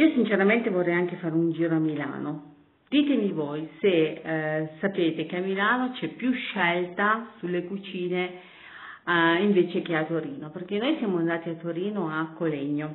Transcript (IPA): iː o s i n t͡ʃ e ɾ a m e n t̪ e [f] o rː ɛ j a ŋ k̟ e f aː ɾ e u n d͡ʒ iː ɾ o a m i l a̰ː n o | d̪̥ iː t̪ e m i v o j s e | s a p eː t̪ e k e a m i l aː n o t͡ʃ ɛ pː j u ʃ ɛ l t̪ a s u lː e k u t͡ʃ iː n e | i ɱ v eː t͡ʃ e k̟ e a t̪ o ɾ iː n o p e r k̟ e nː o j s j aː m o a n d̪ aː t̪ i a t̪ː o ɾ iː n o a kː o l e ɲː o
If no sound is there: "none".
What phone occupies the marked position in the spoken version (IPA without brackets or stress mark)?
v